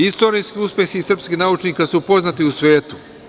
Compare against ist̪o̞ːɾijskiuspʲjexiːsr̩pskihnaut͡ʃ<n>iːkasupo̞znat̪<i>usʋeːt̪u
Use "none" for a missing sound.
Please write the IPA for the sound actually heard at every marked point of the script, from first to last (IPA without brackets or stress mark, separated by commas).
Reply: n, i